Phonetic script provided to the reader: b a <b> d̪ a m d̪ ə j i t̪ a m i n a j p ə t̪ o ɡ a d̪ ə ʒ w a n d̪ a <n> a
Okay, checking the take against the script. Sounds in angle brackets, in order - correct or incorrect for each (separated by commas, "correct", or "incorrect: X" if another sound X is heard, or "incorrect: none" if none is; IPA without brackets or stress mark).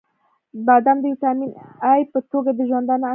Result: incorrect: none, correct